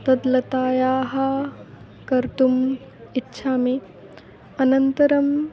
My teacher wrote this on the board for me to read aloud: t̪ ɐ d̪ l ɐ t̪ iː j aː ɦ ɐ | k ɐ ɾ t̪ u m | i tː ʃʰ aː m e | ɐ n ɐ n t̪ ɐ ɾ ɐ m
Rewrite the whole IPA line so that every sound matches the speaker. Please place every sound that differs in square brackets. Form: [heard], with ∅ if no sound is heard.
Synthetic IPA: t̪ ɐ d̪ l ɐ t̪ [aː] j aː ɦ ɐ | k ɐ ɾ t̪ u m | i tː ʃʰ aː m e | ɐ n ɐ n t̪ ɐ ɾ ɐ m

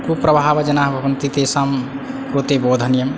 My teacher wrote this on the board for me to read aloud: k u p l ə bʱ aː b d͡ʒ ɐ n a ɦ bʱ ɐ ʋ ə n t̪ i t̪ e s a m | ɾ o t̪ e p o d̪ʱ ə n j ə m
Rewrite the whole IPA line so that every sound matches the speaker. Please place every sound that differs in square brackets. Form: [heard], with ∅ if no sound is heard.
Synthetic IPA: k u p [ɾ] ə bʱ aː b d͡ʒ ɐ n a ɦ bʱ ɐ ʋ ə n t̪ i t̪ e s a m | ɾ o t̪ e [b] o d̪ʱ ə n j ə m

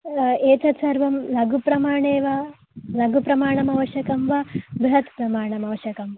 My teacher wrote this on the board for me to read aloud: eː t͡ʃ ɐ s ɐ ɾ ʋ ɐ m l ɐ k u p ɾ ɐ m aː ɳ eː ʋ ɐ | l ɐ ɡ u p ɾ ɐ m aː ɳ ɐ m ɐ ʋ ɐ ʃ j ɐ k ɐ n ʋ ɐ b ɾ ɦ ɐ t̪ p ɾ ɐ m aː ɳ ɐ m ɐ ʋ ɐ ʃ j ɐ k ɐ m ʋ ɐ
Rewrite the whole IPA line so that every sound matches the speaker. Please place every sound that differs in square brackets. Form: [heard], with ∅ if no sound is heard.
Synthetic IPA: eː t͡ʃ ɐ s ɐ ɾ ʋ ɐ m l ɐ [ɡ] u p ɾ ɐ m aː ɳ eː ʋ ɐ | l ɐ ɡ u p ɾ ɐ m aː ɳ ɐ m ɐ ʋ ɐ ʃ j ɐ k ɐ [m] ʋ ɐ b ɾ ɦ ɐ t̪ p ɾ ɐ m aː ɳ ɐ m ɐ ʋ ɐ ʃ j ɐ k ɐ m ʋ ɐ

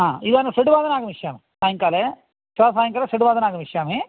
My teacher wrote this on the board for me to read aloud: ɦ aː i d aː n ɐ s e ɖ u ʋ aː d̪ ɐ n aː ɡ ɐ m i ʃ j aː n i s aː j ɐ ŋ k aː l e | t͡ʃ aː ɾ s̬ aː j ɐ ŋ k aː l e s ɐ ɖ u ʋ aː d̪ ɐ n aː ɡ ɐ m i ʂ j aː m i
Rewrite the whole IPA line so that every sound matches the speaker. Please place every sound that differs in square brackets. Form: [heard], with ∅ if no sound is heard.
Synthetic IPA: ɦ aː i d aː n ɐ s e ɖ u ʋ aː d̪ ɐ n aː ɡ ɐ m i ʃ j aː [m] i s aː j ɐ ŋ k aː l e | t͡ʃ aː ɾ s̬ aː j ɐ ŋ k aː l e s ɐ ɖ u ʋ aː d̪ ɐ n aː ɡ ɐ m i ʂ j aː m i

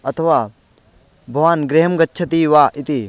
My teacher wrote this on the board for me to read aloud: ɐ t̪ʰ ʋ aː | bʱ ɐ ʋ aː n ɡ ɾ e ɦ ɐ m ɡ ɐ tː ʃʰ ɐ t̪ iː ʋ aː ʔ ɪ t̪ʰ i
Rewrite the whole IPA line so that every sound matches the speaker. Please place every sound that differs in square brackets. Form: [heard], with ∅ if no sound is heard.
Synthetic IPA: ɐ t̪ʰ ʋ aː | bʱ ɐ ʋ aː n ɡ ɾ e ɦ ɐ m ɡ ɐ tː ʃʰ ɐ t̪ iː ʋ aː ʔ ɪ [t̪] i

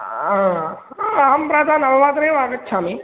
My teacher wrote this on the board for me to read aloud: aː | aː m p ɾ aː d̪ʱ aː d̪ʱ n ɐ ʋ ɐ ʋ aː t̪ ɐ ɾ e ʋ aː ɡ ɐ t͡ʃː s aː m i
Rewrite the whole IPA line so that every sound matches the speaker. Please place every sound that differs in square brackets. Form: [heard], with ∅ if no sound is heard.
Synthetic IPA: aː | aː m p ɾ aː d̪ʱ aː [∅] n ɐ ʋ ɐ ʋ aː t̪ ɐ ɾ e ʋ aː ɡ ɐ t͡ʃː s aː m i

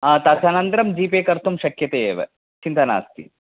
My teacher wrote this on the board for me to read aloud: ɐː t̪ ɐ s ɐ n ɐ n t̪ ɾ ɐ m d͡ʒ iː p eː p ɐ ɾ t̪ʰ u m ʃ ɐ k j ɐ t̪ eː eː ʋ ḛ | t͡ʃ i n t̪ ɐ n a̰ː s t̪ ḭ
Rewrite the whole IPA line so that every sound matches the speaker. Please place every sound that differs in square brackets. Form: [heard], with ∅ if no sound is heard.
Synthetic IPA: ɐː t̪ ɐ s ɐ n ɐ n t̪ ɾ ɐ m d͡ʒ iː p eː [k] ɐ ɾ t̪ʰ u m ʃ ɐ k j ɐ t̪ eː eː ʋ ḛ | t͡ʃ i n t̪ ɐ n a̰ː s t̪ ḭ

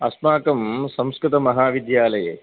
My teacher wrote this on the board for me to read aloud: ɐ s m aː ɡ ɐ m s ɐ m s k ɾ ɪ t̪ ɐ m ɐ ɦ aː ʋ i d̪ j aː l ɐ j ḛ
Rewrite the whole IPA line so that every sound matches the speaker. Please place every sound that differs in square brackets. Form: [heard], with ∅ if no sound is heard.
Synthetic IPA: ɐ s m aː [k] ɐ m s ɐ m s k ɾ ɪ t̪ ɐ m ɐ ɦ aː ʋ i d̪ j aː l ɐ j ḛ

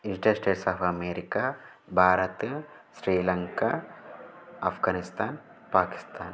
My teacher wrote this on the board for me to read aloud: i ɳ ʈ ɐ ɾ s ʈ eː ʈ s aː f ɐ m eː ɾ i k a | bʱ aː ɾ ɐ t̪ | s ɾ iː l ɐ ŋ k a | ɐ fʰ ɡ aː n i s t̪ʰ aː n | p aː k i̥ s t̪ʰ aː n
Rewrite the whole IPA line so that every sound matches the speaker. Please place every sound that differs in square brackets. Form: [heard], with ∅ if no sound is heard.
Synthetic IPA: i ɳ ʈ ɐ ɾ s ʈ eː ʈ s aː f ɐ m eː ɾ i k a | bʱ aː ɾ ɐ t̪ | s ɾ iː l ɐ ŋ k a | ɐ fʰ ɡ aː n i s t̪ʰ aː n | p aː k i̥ s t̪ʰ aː n

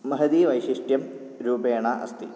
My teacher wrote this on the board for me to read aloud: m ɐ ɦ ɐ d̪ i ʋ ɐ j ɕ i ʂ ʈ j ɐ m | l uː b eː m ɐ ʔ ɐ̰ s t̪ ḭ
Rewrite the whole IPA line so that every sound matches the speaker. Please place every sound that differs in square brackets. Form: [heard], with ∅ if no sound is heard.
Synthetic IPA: m ɐ ɦ ɐ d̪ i ʋ ɐ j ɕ i ʂ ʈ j ɐ m | [ɾ] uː b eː [ɳ] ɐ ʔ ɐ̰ s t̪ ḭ

